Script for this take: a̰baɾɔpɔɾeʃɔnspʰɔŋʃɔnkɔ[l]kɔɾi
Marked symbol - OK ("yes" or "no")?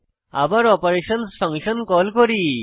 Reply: yes